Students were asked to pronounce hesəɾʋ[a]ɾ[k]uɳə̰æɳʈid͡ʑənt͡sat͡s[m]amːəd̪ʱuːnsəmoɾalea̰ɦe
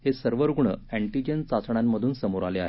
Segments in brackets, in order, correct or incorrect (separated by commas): incorrect, incorrect, incorrect